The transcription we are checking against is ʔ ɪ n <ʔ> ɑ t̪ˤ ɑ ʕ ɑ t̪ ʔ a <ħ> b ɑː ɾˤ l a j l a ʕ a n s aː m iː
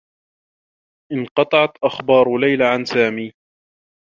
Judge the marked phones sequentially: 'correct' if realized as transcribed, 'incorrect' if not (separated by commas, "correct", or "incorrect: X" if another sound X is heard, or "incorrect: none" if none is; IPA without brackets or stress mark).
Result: incorrect: q, incorrect: x